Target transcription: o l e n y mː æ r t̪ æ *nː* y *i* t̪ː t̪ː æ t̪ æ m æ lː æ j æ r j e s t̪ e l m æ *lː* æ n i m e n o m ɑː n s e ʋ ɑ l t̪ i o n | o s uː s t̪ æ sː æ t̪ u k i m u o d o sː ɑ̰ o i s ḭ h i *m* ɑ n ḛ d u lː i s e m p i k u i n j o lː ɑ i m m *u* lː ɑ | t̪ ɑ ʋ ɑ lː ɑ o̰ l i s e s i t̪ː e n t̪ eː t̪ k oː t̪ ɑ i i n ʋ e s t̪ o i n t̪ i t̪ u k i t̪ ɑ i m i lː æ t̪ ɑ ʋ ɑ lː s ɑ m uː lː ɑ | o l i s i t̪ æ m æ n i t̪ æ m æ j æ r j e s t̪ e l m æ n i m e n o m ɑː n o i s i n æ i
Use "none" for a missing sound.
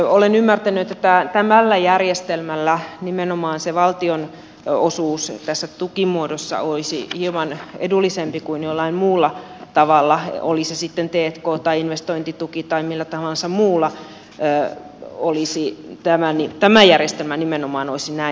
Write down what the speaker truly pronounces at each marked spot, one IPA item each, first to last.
n, e, lː, m, uː

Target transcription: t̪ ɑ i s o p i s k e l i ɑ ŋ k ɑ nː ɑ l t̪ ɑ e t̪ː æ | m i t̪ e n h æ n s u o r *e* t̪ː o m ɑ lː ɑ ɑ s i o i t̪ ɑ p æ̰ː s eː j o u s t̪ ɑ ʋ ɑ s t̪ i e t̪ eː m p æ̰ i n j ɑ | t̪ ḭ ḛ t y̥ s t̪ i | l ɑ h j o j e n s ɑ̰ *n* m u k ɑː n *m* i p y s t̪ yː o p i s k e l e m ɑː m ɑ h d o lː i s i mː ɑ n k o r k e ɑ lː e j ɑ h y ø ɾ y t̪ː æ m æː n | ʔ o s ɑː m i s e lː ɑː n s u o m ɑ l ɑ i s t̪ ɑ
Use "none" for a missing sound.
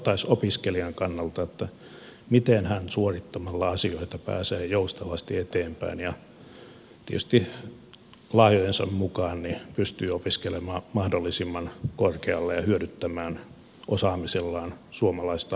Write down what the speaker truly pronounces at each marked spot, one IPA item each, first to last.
i, m, n

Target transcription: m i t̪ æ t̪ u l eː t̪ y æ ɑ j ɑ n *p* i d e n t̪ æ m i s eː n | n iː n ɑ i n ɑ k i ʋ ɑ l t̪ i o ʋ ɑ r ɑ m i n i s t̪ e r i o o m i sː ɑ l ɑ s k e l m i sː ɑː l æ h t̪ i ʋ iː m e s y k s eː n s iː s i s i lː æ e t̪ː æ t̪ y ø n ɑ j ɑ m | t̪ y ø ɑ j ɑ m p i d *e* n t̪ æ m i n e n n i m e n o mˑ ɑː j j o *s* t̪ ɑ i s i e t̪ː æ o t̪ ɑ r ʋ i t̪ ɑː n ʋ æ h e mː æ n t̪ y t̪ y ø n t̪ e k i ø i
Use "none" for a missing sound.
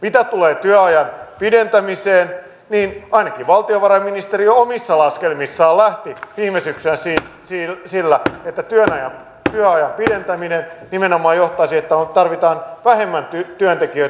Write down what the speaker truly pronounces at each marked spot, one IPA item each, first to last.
p, e, h

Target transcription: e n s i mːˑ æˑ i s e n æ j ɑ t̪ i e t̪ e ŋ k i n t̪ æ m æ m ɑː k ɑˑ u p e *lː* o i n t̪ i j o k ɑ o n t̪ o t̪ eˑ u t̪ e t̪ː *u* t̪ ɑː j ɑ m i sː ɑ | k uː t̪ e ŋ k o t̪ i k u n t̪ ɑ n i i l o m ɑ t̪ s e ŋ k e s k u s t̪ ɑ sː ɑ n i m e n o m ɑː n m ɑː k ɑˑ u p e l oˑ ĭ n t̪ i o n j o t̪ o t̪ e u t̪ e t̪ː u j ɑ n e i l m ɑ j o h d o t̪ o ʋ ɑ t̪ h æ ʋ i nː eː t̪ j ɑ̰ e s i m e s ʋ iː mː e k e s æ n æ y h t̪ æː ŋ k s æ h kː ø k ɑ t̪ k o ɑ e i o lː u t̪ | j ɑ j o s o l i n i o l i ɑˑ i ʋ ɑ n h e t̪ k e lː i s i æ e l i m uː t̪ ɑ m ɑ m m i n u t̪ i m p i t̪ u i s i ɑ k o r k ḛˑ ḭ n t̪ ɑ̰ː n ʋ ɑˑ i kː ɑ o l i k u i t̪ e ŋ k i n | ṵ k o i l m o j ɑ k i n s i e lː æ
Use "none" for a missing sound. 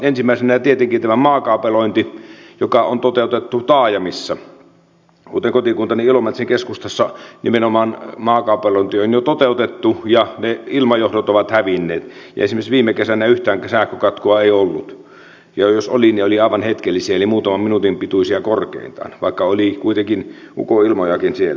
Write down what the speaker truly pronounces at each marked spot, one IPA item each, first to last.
l, u

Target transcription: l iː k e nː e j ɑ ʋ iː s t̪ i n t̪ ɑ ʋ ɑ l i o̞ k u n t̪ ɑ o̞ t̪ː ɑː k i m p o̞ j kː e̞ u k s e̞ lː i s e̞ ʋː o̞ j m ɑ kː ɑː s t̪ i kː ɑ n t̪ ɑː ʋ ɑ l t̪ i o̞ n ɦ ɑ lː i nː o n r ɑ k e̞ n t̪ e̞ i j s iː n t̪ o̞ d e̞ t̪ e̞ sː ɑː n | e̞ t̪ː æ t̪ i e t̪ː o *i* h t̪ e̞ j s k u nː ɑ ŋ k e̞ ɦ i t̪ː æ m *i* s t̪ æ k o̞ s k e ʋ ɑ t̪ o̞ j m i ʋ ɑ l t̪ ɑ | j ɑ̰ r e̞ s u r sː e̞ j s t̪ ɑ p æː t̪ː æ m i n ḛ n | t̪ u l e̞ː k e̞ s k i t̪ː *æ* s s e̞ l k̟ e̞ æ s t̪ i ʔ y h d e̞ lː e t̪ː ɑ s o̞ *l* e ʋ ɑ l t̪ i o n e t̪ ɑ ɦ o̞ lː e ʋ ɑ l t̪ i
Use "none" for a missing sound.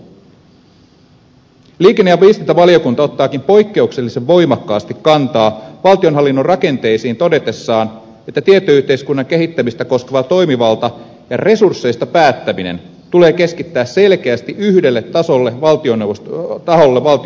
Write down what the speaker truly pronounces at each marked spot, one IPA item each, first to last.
y, i, æː, lː

